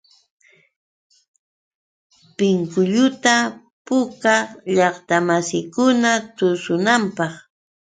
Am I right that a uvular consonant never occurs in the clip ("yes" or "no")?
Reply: no